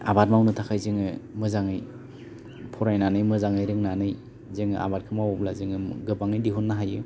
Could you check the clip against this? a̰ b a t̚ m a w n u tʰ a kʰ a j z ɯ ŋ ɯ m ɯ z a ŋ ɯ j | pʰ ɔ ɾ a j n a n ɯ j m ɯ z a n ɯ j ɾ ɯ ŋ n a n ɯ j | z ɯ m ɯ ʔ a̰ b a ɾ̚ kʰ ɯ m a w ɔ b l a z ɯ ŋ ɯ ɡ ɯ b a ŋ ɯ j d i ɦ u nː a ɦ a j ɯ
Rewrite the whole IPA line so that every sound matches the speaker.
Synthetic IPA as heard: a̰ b a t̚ m a w n ɯ tʰ a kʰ a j z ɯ ŋ ɯ m ɯ z a ŋ ɯ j | pʰ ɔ ɾ a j n a n ɯ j m ɯ z a ŋ ɯ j ɾ ɯ ŋ n a n ɯ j | z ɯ ŋ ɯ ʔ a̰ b a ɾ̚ kʰ ɯ m a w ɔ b l a z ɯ ŋ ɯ ɡ ɯ b a ŋ ɯ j d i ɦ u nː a ɦ a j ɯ